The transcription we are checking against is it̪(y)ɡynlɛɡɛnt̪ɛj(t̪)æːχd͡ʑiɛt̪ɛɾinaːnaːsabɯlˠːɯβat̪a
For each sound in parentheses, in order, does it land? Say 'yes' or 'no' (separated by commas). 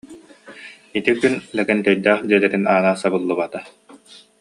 no, no